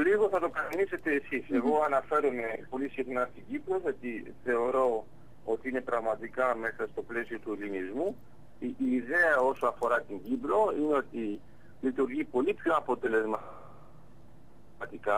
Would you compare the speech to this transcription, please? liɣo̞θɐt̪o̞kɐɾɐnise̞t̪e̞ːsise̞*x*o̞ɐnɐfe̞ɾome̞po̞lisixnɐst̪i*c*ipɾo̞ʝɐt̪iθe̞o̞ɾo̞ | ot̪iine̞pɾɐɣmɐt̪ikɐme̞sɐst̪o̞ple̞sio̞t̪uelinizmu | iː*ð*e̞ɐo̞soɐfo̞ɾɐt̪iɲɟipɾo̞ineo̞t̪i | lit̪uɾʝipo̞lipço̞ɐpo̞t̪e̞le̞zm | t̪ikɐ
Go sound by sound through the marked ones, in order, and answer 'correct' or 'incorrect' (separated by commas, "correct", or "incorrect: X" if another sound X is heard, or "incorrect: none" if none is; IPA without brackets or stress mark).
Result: incorrect: ɣ, incorrect: ɟ, correct